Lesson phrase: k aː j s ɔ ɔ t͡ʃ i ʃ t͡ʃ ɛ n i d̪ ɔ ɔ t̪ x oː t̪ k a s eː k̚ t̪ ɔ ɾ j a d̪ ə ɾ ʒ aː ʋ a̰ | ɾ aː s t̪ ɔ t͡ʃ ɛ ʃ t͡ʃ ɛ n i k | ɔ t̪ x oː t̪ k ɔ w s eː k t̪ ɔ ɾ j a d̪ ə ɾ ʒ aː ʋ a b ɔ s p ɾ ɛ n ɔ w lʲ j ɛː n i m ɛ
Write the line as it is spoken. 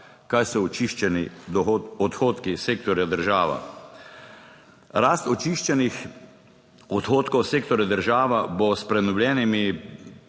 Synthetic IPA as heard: k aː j s ɔ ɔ t͡ʃ i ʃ t͡ʃ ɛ n i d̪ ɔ ɔ t̪ x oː t̪ k i s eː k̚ t̪ ɔ ɾ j a d̪ ə ɾ ʒ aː ʋ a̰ | ɾ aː s t̪ ɔ t͡ʃ i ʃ t͡ʃ ɛ n i x | ɔ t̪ x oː t̪ k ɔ w s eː k t̪ ɔ ɾ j a d̪ ə ɾ ʒ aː ʋ a b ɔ s p ɾ ɛ n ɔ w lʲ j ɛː n i m i